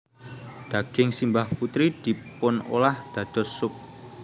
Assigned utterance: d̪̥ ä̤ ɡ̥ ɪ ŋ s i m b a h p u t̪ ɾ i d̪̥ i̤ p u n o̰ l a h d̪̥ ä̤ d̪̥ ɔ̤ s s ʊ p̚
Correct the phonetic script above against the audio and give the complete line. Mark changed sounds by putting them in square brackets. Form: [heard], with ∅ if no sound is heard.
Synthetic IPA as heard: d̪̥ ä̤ ɡ̥ ɪ ŋ s i m b a h p u t̪ ɾ i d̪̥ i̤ p [ʊ] n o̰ l a h d̪̥ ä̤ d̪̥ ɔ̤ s s ʊ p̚